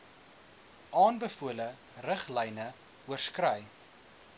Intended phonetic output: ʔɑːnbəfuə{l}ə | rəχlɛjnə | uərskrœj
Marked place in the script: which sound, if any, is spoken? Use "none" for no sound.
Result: l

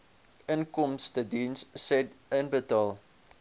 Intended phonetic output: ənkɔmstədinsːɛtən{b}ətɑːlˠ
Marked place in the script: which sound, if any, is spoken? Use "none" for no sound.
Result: b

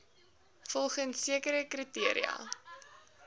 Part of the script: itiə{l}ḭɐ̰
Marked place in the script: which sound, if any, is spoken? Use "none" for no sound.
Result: ɾ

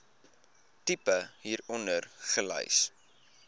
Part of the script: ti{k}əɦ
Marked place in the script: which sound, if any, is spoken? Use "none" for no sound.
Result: p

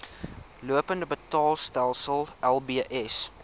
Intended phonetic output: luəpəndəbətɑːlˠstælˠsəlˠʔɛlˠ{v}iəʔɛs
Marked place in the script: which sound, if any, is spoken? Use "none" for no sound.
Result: b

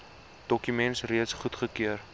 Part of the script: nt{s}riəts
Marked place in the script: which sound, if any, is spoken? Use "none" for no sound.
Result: s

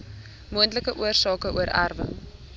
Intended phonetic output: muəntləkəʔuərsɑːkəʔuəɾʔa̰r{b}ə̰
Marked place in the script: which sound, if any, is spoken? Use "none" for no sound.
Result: v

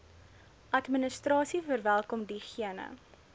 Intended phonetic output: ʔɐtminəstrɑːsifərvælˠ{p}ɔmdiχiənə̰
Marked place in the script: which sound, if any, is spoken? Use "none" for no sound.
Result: k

